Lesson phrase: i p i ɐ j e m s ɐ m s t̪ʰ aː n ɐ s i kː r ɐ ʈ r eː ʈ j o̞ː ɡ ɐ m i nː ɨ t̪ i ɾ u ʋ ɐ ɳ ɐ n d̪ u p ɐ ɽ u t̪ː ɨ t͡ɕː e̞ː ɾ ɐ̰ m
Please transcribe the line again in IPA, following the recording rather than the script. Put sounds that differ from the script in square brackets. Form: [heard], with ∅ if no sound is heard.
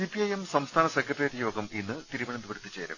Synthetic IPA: i p i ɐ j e m s ɐ m s t̪ʰ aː n ɐ s [e] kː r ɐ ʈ r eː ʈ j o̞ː ɡ ɐ m i nː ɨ t̪ i ɾ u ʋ ɐ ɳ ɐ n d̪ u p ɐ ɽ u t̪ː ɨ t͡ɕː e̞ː ɾ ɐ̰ m